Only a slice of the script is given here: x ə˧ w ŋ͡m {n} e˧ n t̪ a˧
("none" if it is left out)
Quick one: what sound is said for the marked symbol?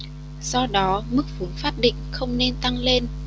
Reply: n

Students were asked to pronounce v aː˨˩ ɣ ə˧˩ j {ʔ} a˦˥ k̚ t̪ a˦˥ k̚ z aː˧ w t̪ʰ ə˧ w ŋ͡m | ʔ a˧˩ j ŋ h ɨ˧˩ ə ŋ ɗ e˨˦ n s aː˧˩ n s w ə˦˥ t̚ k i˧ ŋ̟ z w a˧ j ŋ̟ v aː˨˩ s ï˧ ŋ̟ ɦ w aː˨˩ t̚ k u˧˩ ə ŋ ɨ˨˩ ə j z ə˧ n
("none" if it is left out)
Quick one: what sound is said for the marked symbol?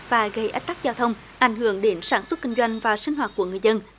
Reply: ʔ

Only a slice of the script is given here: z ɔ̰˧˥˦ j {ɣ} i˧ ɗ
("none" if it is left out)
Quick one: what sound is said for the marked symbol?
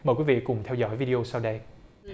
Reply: v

